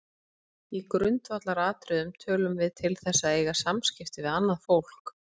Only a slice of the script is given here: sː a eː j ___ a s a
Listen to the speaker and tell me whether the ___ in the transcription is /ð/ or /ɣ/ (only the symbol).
ɣ